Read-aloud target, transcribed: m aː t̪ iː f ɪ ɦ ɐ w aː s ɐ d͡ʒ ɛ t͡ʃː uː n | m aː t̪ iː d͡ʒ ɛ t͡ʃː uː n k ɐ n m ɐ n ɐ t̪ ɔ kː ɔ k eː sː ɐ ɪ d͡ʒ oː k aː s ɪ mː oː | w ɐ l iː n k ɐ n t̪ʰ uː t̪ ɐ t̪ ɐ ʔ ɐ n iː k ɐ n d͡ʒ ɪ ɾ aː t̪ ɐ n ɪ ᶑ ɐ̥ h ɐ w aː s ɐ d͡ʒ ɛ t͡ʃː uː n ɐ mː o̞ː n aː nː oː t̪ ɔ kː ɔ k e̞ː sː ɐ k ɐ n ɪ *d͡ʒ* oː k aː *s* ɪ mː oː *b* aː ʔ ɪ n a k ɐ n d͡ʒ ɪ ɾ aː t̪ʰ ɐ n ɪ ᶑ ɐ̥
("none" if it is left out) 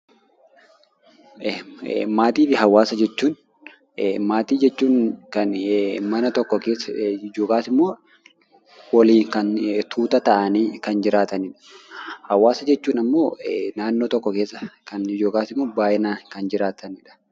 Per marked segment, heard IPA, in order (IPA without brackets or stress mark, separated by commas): d͡ʒ, s, b